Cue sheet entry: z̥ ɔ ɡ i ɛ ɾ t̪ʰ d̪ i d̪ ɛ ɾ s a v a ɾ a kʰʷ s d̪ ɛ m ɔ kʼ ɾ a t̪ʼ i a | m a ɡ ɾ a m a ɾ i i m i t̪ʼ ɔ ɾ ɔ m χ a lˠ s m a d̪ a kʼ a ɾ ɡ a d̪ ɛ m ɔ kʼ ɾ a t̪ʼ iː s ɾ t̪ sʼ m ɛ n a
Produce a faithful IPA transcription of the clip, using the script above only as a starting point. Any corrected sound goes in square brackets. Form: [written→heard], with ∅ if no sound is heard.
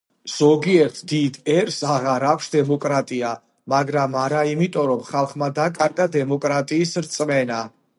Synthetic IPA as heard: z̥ ɔ ɡ i ɛ ɾ t̪ʰ d̪ i d̪ ɛ ɾ s a [v→ʁ] a ɾ a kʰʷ s d̪ ɛ m ɔ kʼ ɾ a t̪ʼ i a | m a ɡ ɾ a m a ɾ [i→a] i m i t̪ʼ ɔ ɾ ɔ m χ a lˠ [s→χ] m a d̪ a kʼ a ɾ ɡ a d̪ ɛ m ɔ kʼ ɾ a t̪ʼ iː s ɾ t̪ sʼ m ɛ n a